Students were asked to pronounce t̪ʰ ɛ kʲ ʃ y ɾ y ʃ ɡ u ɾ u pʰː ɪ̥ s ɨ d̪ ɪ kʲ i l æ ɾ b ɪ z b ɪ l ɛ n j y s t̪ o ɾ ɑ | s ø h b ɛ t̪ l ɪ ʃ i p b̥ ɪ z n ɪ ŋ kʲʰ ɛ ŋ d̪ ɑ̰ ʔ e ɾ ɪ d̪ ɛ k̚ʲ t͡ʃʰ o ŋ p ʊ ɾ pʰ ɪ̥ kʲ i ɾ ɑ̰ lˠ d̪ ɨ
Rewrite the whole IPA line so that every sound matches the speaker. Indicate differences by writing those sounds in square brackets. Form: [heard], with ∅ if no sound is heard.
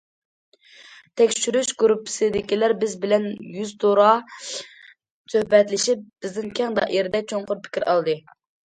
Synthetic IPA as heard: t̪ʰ ɛ kʲ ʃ y ɾ y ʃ ɡ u ɾ u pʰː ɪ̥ s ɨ d̪ ɪ kʲ i l æ ɾ b ɪ z b ɪ l ɛ n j y [z] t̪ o ɾ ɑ | s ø h b ɛ t̪ l ɪ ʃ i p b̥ ɪ z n ɪ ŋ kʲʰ ɛ ŋ d̪ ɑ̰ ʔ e ɾ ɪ d̪ ɛ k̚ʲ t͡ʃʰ o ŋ [q] ʊ ɾ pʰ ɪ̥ kʲ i ɾ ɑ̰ lˠ d̪ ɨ